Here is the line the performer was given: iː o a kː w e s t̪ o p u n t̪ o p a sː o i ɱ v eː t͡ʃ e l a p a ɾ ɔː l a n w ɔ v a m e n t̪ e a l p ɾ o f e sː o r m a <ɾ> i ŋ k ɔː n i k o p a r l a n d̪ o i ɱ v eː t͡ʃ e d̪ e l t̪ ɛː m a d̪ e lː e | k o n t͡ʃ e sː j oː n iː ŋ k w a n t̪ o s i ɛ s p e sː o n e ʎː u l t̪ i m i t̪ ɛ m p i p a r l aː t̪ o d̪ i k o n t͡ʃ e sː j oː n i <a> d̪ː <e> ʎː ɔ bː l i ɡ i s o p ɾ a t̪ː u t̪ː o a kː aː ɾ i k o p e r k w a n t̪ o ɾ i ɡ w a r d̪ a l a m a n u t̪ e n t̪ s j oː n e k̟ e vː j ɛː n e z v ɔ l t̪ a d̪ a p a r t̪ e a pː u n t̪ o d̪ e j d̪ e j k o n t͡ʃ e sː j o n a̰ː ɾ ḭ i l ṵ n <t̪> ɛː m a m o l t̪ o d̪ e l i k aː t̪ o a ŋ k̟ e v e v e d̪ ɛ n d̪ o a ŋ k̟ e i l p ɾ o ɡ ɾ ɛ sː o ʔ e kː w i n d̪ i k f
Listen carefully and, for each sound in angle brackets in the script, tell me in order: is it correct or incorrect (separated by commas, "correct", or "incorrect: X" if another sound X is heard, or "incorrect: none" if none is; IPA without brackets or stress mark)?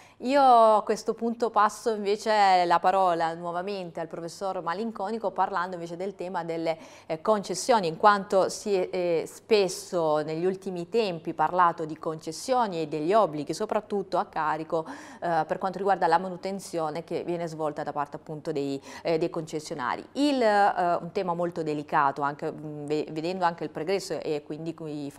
incorrect: l, incorrect: e, correct, correct